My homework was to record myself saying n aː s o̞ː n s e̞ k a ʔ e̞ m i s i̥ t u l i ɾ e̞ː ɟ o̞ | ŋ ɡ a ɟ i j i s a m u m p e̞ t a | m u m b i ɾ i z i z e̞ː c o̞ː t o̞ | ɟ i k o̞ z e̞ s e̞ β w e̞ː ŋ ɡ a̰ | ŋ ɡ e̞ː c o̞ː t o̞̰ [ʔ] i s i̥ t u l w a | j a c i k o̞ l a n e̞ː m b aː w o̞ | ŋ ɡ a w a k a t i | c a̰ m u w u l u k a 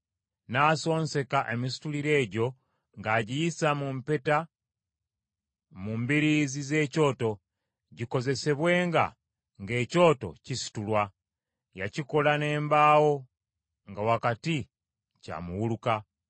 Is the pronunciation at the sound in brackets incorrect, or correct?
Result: incorrect